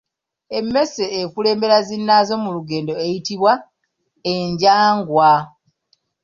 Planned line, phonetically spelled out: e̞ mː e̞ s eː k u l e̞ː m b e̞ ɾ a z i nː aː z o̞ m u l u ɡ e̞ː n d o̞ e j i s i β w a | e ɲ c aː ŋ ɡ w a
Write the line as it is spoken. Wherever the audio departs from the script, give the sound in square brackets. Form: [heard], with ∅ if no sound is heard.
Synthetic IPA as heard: e̞ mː e̞ s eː k u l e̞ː m b e̞ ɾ a z i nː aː z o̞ m u l u ɡ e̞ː n d o̞ e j i [t] i β w a | e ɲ [ɟ] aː ŋ ɡ w a